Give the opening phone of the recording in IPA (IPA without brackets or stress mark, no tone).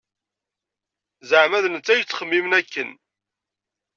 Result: z